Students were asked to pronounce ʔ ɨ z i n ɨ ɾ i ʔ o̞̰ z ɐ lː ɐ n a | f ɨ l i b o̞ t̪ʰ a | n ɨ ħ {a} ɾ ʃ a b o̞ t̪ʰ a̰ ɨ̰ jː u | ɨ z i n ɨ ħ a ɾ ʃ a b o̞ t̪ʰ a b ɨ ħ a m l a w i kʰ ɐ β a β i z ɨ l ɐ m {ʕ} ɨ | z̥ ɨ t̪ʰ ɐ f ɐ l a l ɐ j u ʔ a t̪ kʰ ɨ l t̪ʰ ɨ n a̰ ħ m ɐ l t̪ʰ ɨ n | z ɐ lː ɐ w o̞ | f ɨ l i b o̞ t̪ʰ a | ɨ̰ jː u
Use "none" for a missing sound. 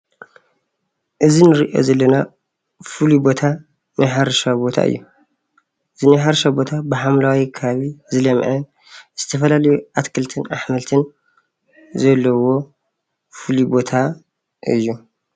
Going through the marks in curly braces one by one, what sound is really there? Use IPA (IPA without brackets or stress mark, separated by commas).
a, ʕ